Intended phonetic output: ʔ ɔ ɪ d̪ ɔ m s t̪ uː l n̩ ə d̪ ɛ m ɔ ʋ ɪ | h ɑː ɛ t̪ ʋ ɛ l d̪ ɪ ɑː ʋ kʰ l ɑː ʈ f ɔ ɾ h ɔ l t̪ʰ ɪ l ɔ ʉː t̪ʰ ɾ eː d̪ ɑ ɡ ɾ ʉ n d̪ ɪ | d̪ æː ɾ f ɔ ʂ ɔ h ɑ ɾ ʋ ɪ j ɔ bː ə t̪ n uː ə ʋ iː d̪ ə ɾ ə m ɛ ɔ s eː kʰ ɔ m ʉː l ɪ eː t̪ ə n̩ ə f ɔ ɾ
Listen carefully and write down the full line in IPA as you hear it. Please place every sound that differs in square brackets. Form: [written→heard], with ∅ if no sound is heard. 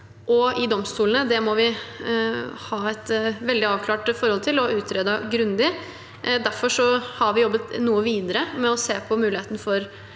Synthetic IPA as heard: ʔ ɔ ɪ d̪ ɔ m s t̪ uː l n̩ ə d̪ ɛ m ɔ ʋ ɪ | h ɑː ɛ t̪ ʋ ɛ l d̪ ɪ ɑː ʋ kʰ l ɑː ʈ f ɔ ɾ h ɔ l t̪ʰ ɪ l ɔ ʉː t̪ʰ ɾ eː d̪ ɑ ɡ ɾ ʉ n d̪ ɪ | d̪ [æː→æ] ɾ f ɔ ʂ ɔ h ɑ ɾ ʋ ɪ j ɔ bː ə t̪ n uː ə ʋ iː d̪ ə ɾ ə m ɛ ɔ s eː [kʰ→pʰ] ɔ m ʉː l ɪ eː t̪ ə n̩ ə f ɔ ɾ

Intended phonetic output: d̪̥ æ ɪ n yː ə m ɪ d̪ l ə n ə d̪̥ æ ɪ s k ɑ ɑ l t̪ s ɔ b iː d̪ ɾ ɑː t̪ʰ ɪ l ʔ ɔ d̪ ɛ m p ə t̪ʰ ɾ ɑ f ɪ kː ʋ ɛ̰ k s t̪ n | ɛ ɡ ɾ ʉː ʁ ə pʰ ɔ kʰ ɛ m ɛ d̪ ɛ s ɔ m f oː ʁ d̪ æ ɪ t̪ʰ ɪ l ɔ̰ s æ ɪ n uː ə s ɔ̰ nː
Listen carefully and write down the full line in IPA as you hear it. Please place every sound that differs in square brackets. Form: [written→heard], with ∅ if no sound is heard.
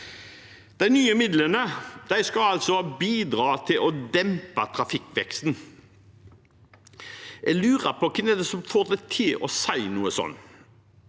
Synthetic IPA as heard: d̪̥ æ ɪ n yː ə m ɪ d̪ l ə n ə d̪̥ æ ɪ s k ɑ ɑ l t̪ s ɔ b iː d̪ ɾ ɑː t̪ʰ ɪ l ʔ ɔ d̪ ɛ m p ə t̪ʰ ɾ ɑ f ɪ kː ʋ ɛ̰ k s t̪ n | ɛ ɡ [ɾ→l] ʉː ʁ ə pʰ ɔ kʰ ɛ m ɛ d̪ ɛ s ɔ m f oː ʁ d̪ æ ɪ t̪ʰ ɪ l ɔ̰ s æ ɪ n uː ə s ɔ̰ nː

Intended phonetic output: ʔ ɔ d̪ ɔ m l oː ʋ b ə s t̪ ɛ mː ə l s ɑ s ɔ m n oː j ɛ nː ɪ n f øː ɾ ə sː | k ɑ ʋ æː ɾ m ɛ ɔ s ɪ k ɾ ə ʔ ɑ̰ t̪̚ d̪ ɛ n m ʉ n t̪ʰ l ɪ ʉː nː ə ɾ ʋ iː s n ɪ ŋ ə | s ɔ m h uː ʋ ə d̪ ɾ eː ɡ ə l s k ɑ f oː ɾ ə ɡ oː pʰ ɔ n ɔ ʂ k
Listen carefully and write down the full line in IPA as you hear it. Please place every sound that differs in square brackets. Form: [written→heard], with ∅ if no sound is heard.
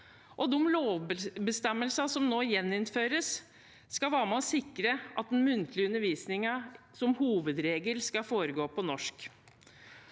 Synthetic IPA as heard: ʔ ɔ d̪ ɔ m l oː ʋ b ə s t̪ ɛ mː ə l s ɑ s ɔ m n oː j ɛ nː ɪ n f øː ɾ ə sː | k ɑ ʋ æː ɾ m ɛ ɔ s ɪ k ɾ ə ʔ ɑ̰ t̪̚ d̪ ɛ n m ʉ n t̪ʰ l ɪ [ʉː→ʉ] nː ə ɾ ʋ iː s n ɪ ŋ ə | s ɔ m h uː ʋ ə d̪ ɾ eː ɡ ə l s k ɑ f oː ɾ ə ɡ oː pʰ ɔ n ɔ ʂ k

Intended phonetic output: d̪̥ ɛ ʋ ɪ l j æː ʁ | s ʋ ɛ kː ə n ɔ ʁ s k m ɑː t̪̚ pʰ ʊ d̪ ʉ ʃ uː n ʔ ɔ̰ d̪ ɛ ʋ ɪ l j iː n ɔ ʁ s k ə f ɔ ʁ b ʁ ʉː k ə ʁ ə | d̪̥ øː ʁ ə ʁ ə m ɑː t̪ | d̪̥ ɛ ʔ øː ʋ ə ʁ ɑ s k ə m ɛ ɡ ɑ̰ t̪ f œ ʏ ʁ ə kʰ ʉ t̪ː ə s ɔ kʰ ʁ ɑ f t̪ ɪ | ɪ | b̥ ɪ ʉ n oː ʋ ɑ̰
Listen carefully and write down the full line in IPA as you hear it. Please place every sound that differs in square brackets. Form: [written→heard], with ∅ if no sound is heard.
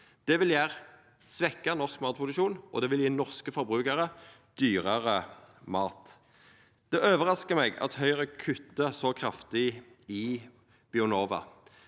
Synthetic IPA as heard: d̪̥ ɛ ʋ ɪ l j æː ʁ | s ʋ ɛ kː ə n ɔ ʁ s k m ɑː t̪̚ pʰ ʊ d̪ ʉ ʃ uː n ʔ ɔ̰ d̪ ɛ ʋ ɪ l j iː n ɔ ʁ s k ə f ɔ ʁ b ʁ ʉː k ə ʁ ə | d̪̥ [øː→yː] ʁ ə ʁ ə m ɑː t̪ | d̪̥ ɛ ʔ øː ʋ ə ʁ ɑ s k ə m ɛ ɡ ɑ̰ t̪ [f→h] œ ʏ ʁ ə kʰ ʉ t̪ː ə s ɔ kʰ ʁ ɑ f t̪ ɪ | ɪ | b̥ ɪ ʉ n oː ʋ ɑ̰

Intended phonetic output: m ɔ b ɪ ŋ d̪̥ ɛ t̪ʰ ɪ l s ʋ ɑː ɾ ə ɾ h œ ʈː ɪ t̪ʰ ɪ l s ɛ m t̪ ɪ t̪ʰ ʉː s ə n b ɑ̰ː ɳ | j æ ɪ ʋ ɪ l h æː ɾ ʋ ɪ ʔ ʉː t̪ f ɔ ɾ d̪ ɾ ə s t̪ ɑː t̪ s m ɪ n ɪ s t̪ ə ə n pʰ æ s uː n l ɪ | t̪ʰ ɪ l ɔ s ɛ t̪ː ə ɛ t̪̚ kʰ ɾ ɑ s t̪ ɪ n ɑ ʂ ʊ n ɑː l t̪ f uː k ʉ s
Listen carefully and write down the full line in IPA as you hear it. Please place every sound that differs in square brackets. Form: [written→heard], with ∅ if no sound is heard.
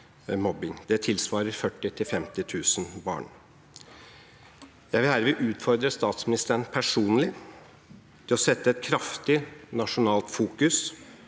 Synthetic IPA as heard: m ɔ b ɪ ŋ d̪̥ ɛ t̪ʰ ɪ l s ʋ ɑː ɾ ə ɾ [h→f] œ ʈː ɪ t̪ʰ ɪ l [s→f] ɛ m t̪ ɪ t̪ʰ ʉː s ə n b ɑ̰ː ɳ | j æ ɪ ʋ ɪ l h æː ɾ ʋ ɪ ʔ ʉː t̪ f ɔ ɾ d̪ ɾ ə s t̪ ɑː t̪ s m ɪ n ɪ s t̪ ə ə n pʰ æ [s→ʂ] uː n l ɪ | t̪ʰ ɪ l ɔ s ɛ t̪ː ə ɛ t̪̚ kʰ ɾ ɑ [s→f] t̪ ɪ n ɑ ʂ ʊ n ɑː l t̪ f uː k ʉ s

